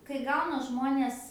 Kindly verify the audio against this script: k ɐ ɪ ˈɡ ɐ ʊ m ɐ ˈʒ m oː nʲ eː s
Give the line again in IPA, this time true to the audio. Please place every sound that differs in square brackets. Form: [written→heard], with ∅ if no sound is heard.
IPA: k ɐ ɪ ˈɡ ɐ ʊ [m→n] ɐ ˈʒ m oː nʲ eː s